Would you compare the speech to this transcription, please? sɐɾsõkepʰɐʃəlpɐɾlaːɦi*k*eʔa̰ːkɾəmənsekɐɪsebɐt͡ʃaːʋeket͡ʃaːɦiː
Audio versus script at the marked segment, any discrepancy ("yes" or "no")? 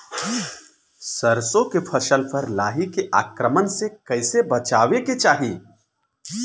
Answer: no